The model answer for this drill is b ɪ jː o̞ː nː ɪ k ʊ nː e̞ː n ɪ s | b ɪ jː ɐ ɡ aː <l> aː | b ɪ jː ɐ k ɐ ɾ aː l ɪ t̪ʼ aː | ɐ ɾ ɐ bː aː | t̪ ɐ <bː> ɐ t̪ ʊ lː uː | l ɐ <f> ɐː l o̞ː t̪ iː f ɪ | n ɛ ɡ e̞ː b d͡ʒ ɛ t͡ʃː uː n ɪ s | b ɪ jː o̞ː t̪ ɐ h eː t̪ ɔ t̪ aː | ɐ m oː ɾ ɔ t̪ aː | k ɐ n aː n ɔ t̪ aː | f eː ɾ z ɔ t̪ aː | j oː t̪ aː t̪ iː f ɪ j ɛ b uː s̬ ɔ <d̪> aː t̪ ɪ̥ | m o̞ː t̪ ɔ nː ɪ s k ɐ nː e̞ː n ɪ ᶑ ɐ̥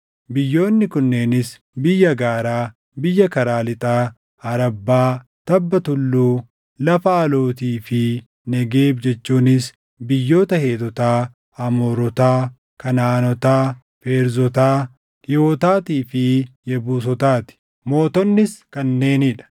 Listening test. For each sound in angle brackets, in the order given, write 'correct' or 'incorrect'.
incorrect: ɾ, correct, correct, incorrect: t̪

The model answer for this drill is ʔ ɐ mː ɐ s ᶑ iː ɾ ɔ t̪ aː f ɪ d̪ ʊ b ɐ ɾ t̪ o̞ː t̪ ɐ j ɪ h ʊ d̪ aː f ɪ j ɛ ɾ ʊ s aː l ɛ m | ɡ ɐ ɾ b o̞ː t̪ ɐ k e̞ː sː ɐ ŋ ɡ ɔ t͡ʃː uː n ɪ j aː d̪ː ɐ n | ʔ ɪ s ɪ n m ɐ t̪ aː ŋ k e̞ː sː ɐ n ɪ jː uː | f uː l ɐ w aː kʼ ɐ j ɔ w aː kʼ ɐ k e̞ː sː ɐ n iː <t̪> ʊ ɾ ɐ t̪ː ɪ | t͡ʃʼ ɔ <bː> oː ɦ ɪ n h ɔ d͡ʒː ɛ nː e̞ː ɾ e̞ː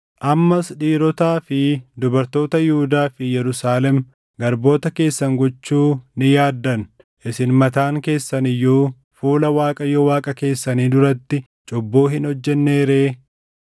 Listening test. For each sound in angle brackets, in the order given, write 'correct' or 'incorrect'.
incorrect: d̪, correct

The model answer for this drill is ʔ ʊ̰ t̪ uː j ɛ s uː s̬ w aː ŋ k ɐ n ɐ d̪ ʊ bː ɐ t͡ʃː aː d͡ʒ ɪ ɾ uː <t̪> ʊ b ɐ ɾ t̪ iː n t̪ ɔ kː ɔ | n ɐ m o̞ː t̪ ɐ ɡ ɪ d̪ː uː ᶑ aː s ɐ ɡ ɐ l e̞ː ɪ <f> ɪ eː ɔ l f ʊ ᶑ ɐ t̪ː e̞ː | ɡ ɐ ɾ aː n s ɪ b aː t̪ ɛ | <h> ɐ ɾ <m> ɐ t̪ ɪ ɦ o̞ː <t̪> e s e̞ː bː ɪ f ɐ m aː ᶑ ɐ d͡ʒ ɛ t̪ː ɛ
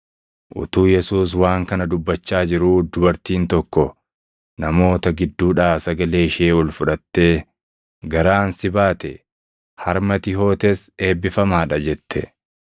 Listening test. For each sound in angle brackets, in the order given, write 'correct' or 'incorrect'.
incorrect: d̪, incorrect: ʃ, correct, correct, correct

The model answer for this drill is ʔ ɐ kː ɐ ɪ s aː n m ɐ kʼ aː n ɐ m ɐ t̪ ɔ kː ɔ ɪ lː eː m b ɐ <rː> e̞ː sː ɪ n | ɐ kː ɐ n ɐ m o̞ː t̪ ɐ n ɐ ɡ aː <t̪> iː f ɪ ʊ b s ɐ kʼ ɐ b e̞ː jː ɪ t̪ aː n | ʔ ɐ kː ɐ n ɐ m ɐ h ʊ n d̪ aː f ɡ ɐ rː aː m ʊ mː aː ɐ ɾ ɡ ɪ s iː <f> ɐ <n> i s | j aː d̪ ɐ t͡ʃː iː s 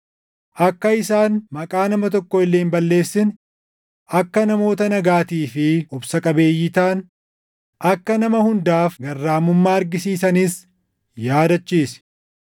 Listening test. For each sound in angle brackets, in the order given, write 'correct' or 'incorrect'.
incorrect: lː, correct, incorrect: s, correct

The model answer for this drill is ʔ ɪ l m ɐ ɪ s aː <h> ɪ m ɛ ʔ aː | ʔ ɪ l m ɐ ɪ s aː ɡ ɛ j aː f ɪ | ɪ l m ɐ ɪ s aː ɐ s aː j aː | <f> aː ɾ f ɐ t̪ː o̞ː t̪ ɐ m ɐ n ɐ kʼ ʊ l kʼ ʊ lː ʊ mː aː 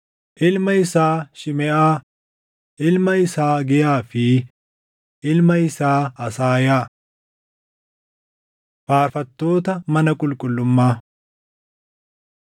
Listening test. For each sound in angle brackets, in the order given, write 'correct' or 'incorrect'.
incorrect: ʃ, correct

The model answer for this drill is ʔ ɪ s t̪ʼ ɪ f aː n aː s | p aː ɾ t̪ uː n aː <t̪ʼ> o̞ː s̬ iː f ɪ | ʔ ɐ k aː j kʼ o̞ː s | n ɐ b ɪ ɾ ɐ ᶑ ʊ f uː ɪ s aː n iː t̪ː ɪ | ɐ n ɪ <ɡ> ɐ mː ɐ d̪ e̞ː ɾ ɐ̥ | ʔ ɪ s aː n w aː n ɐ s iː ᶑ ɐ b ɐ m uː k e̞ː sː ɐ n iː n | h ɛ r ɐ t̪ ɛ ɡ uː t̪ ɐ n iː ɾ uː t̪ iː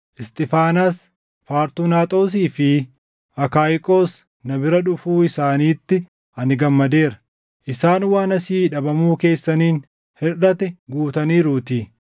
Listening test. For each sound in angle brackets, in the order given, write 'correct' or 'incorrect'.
correct, correct

